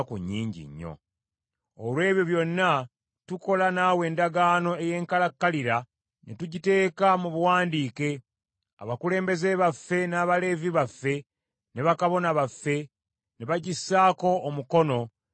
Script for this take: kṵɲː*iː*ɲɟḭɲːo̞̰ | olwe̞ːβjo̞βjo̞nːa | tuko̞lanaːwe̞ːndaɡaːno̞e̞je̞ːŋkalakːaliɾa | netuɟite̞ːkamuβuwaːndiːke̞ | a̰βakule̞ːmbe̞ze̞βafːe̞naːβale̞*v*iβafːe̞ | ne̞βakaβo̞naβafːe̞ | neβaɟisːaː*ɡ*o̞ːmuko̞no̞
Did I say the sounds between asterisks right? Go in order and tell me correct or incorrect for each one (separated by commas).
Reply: correct, correct, incorrect